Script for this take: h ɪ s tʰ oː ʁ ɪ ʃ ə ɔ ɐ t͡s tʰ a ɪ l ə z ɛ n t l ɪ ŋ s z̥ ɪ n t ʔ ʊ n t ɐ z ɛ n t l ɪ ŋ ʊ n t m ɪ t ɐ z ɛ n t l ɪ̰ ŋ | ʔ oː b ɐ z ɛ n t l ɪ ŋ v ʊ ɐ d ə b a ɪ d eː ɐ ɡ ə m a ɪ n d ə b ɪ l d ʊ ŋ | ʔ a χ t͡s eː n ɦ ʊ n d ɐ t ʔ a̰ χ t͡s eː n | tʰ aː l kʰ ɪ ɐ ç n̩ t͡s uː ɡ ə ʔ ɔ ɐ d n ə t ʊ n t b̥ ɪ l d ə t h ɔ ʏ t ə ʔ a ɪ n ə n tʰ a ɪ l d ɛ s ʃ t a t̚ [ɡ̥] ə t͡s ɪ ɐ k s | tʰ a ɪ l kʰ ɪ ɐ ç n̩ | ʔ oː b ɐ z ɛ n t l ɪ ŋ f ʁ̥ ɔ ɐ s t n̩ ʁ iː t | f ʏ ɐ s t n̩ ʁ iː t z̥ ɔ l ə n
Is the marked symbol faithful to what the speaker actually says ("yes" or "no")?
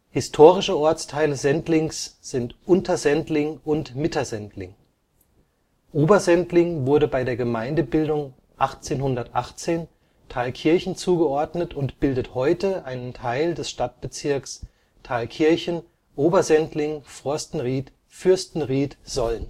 no